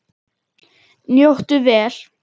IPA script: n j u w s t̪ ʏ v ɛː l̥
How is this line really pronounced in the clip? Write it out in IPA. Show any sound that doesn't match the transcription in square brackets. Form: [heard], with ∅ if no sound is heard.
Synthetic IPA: n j [o] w [h] t̪ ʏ v ɛː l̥